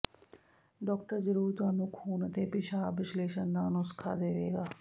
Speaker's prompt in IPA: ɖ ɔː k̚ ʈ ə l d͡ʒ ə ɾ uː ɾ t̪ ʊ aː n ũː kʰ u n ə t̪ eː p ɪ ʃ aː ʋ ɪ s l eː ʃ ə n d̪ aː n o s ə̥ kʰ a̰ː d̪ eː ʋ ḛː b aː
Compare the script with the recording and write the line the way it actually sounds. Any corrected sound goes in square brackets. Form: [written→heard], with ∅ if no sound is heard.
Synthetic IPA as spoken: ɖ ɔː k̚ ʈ ə [l→ɾ] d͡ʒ ə ɾ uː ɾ t̪ ʊ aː n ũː kʰ [u→uː] n ə t̪ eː p ɪ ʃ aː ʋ ɪ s l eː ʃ ə n d̪ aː n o s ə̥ kʰ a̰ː d̪ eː ʋ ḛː [b→ɡ] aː